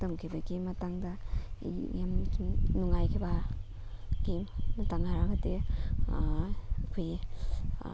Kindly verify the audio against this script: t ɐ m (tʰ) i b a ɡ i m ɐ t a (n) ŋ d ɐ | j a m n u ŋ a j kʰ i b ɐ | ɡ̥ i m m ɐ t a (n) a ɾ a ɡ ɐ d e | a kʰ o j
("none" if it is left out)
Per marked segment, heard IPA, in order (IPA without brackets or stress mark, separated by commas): kʰ, none, ŋ